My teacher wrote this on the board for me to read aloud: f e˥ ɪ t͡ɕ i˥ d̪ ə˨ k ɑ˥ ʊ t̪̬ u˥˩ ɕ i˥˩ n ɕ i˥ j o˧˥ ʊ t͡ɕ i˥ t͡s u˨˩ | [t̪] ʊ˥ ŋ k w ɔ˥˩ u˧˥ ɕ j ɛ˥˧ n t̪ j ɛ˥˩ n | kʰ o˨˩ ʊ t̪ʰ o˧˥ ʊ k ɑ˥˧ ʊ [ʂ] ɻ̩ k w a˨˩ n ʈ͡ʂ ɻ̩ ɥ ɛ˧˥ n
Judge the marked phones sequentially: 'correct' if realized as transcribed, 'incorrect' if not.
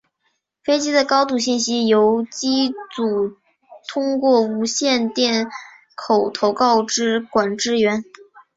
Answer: incorrect: t̪ʰ, incorrect: ʈ͡ʂ

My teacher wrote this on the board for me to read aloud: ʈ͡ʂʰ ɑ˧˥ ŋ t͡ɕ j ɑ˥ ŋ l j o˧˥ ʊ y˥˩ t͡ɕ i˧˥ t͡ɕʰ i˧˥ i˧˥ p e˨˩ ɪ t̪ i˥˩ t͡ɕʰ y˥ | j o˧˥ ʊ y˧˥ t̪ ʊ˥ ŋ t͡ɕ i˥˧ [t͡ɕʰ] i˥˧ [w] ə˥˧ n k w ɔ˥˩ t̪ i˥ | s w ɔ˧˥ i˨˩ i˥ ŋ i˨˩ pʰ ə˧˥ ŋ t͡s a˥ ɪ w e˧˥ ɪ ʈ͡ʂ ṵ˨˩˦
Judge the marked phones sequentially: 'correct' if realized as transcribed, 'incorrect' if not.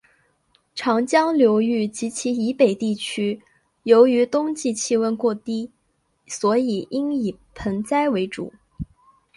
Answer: correct, correct

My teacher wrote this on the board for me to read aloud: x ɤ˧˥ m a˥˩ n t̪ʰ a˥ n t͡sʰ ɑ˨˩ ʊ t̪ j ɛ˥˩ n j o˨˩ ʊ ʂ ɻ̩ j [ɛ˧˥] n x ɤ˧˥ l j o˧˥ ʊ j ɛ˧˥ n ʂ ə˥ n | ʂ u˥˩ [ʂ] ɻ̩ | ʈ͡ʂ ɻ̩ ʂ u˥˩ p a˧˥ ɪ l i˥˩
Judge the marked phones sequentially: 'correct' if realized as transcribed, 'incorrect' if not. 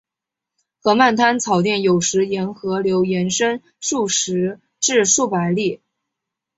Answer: correct, correct

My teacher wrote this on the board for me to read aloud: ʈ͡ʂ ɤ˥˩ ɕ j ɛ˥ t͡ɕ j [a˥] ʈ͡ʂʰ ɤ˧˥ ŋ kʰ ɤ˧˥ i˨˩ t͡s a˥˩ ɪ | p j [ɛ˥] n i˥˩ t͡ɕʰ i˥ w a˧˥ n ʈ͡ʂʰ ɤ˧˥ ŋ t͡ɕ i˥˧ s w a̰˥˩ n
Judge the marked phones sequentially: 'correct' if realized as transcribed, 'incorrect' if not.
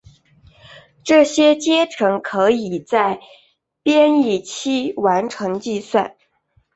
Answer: incorrect: ɛ˥, correct

